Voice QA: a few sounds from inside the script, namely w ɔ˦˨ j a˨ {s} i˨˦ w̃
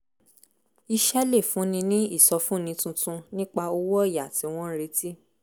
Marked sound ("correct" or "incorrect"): incorrect